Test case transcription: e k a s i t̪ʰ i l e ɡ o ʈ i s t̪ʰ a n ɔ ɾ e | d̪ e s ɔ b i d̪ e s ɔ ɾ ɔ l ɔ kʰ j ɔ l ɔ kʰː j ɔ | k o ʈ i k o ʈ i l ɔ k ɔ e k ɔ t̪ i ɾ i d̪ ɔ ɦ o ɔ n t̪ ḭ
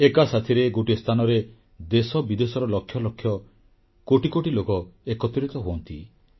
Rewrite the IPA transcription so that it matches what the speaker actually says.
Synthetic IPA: e k a s a t̪ʰ i ɾ e ɡ o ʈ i s t̪ʰ a n ɔ ɾ e | d̪ e s ɔ b i d̪ e s ɔ ɾ ɔ l ɔ kʰ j ɔ l ɔ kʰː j ɔ | k o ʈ i k o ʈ i l o k ɔ e k ɔ t̪ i ɾ i t̪ ɔ ɦ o ɔ n t̪ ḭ